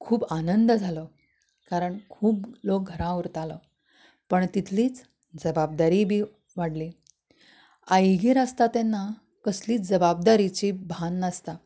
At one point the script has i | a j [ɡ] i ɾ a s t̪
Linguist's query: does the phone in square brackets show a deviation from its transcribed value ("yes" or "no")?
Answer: no